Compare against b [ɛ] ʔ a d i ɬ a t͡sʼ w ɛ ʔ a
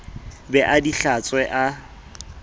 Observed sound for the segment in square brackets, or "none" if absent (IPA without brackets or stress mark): ɛ